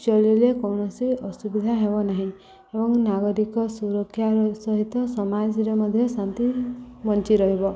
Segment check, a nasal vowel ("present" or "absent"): present